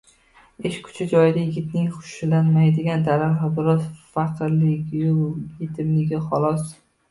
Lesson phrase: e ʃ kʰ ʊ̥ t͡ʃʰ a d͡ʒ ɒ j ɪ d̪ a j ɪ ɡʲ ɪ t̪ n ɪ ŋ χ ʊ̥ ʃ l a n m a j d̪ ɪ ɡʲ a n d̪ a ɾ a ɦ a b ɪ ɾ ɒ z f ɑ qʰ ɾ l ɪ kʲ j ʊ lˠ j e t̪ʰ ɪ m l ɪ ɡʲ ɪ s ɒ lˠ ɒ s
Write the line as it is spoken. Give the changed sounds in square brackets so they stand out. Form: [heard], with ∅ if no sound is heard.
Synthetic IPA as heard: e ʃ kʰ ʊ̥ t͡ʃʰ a d͡ʒ ɒ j ɪ d̪ a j ɪ ɡʲ ɪ t̪ n ɪ ŋ χ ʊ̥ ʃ l a n m a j d̪ ɪ ɡʲ a n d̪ a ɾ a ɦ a b ɪ ɾ ɒ z f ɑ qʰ ɾ l ɪ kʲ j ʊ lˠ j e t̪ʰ ɪ m l ɪ ɡʲ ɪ [χ] ɒ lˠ ɒ s